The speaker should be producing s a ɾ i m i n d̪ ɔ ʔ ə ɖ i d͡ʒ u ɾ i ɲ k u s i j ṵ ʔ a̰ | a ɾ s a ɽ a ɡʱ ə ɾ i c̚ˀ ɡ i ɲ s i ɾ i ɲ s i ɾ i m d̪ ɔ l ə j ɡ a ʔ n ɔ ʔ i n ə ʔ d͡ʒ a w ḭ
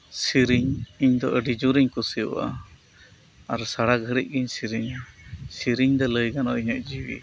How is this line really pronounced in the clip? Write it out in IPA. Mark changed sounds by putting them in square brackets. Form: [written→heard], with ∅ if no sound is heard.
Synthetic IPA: s [a→i] ɾ i [m→ɲ] i [n→ɲ] d̪ ɔ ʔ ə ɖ i d͡ʒ u ɾ i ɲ k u s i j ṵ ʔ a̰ | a ɾ s a ɽ a ɡʱ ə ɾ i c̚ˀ ɡ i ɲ s i ɾ i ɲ s i ɾ i [m→ɲ] d̪ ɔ l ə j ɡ a [ʔ→∅] n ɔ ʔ i [n→ɲ] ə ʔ d͡ʒ [a→i] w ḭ